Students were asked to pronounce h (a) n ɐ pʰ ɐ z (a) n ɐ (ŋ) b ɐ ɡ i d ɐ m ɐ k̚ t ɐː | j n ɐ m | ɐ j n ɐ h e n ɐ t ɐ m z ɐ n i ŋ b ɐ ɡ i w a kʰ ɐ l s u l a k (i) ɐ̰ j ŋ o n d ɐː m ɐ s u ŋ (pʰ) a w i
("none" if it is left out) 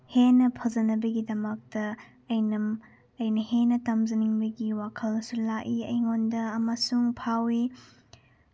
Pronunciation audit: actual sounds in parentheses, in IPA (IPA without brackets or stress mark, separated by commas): e, ɐ, none, i, pʰ